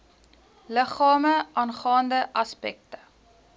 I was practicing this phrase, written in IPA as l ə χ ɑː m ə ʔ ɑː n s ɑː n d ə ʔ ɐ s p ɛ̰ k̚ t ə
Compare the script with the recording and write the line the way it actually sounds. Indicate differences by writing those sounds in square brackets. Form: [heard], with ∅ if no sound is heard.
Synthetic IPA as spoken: l ə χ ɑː m ə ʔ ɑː n [χ] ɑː n d ə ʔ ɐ s p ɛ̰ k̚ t ə